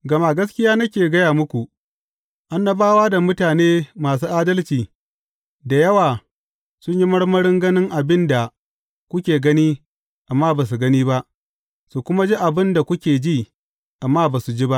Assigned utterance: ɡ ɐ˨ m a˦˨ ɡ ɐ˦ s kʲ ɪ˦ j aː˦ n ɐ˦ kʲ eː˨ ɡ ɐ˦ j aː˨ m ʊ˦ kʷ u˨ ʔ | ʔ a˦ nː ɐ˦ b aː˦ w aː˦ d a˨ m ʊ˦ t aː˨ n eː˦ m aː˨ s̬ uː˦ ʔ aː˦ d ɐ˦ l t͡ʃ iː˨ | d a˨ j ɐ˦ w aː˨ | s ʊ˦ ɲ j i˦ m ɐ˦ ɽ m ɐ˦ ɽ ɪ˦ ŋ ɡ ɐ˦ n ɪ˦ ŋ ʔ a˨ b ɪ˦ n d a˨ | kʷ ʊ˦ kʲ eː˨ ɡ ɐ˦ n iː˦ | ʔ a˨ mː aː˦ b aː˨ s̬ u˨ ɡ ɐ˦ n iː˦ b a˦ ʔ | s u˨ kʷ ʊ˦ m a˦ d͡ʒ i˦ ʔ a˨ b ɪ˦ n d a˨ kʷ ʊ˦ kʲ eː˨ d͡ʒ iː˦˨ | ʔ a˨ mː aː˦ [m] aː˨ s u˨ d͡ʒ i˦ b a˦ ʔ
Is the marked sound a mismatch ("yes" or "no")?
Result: yes